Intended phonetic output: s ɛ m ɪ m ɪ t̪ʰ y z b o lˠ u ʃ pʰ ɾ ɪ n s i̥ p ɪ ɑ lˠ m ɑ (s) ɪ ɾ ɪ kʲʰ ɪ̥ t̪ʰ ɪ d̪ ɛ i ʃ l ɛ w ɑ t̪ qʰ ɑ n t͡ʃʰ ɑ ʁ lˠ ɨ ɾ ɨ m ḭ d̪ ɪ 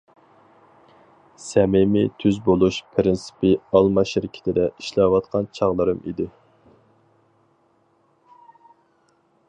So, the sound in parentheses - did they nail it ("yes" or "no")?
no